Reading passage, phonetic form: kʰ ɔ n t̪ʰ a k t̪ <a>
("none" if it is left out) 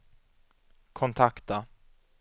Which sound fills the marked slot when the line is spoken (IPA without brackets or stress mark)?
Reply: a